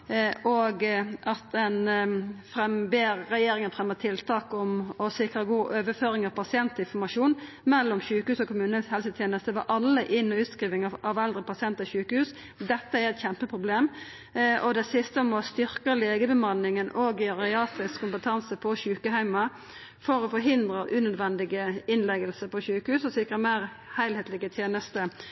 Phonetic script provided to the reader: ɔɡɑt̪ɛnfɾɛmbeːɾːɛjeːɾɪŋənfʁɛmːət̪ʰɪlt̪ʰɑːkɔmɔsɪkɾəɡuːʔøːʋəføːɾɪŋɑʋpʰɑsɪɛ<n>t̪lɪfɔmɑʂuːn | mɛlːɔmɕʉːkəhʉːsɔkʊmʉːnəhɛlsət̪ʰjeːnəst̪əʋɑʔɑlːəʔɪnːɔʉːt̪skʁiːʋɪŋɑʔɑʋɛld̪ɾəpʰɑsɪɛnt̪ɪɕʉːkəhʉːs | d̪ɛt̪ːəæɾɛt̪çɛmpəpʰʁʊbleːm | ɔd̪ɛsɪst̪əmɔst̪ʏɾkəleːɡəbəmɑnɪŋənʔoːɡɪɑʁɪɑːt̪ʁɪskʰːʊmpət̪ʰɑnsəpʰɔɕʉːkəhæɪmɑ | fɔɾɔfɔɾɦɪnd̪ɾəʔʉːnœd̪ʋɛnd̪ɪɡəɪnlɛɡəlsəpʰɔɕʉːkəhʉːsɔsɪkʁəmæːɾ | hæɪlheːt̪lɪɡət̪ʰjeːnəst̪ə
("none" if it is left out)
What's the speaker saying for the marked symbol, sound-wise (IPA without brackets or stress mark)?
n